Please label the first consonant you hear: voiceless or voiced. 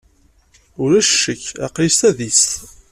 voiced